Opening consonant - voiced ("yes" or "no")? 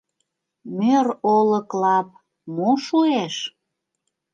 yes